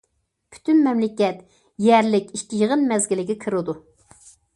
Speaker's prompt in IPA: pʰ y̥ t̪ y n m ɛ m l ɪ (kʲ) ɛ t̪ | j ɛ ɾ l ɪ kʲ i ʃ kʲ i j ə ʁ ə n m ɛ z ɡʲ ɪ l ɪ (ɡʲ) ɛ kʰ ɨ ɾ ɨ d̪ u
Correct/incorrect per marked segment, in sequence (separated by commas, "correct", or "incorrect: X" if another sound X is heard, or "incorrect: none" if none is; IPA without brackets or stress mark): correct, correct